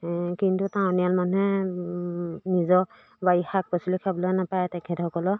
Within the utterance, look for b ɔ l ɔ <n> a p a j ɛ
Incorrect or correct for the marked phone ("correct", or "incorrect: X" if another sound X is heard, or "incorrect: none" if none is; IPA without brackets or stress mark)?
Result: correct